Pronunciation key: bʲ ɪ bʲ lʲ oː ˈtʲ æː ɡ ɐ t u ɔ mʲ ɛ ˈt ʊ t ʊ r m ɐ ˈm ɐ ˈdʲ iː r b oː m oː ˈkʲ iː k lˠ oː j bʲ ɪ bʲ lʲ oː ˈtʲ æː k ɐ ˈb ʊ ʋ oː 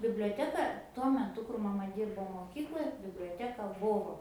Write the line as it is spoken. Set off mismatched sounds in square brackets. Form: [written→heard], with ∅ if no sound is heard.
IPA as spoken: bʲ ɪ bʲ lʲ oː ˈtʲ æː [ɡ→k] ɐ t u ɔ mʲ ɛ ˈt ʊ [t→k] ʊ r m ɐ ˈm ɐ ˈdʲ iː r b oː m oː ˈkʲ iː k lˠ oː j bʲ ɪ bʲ lʲ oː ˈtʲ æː k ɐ ˈb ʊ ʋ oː

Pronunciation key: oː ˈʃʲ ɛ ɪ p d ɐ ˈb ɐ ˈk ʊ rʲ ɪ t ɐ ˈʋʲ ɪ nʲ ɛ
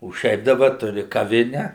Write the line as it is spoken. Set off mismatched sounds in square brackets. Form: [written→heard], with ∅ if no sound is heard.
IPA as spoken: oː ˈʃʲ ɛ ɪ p d ɐ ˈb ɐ [ˈk→ˈt] ʊ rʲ ɪ [t→k] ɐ ˈʋʲ ɪ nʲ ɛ

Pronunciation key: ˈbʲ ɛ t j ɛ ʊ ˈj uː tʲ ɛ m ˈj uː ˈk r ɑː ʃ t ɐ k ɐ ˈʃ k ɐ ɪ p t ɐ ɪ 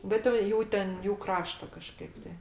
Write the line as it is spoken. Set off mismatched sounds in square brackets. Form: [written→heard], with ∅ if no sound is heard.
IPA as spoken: ˈbʲ ɛ t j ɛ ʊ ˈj uː tʲ ɛ [m→n] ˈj uː ˈk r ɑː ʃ t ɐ k ɐ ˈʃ k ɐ ɪ p t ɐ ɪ

